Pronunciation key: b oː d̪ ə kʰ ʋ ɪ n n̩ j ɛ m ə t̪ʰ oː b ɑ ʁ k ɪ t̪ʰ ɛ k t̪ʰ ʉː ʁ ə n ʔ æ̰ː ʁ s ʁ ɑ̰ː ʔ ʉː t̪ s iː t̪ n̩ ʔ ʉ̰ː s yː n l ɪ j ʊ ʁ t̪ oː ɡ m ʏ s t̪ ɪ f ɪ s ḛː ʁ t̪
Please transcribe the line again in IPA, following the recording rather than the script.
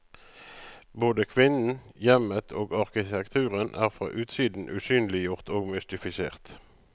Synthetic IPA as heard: b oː d̪ ə kʰ ʋ ɪ n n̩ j ɛ m ə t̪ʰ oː ɡ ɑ ʁ k ɪ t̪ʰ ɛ k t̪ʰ ʉː ʁ ə n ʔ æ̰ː ʁ f ʁ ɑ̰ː ʔ ʉː t̪ s iː d̪ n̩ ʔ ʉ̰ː s yː n l ɪ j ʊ ʁ t̪ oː ɡ m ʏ s t̪ ɪ f ɪ s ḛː ʁ t̪